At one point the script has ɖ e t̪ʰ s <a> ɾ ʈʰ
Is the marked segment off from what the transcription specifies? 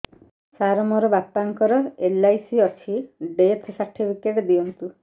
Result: no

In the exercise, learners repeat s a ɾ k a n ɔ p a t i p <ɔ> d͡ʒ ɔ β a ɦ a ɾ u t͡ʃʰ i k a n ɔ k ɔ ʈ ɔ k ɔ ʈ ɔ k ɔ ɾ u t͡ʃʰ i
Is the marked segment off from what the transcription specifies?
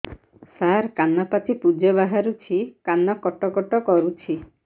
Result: yes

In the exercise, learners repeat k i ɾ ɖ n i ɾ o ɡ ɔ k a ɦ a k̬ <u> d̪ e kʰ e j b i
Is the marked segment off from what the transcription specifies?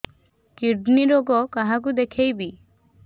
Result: no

